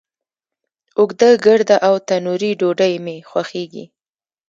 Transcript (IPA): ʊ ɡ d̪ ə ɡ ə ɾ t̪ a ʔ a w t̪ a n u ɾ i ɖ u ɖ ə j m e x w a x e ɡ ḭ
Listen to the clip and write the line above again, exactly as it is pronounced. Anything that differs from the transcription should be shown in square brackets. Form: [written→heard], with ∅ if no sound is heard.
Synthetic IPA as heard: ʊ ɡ d̪ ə ɡ ə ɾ [t̪→d̪] a ʔ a w t̪ a n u ɾ i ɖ [u→o] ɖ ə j m e x w a x e ɡ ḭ